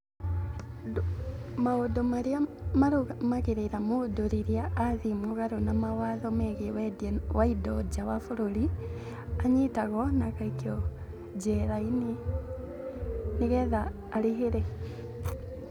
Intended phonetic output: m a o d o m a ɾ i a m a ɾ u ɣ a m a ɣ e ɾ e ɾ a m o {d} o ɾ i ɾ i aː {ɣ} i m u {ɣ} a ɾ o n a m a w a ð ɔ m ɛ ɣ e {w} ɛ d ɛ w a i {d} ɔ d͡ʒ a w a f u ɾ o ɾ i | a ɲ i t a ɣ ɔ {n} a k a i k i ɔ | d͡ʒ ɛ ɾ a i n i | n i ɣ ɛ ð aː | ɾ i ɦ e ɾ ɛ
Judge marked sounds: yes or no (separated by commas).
yes, no, yes, yes, yes, yes